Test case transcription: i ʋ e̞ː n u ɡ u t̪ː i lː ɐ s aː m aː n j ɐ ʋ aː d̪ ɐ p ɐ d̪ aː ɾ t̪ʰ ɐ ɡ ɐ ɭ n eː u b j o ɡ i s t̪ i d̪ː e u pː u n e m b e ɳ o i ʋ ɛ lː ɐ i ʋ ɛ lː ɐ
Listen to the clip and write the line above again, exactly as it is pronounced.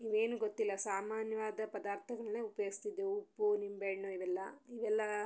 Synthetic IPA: i ʋ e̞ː n u ɡ o t̪ː i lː ɐ s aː m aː n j ɐ ʋ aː d̪ ɐ p ɐ d̪ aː ɾ t̪ʰ ɐ ɡ ɐ ɭ n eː u p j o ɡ i s t̪ i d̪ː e u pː u n i m b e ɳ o i ʋ ɛ lː ɐ i ʋ ɛ lː ɐ